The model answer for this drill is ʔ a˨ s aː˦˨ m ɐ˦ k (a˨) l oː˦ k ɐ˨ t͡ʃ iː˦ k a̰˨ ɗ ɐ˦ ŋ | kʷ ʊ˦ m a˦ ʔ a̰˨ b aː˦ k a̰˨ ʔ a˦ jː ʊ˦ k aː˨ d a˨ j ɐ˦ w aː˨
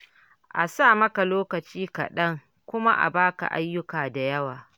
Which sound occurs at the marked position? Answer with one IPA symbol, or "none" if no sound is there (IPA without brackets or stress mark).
a˨